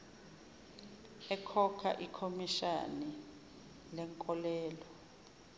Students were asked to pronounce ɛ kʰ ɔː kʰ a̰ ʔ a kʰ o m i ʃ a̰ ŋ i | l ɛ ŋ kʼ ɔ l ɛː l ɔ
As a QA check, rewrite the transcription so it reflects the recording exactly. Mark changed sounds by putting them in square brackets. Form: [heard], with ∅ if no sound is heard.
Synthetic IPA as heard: ɛ kʰ [ɔ] kʰ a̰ ʔ [i] kʰ o m i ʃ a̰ [n] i | l ɛ ŋ kʼ ɔ l ɛː l ɔ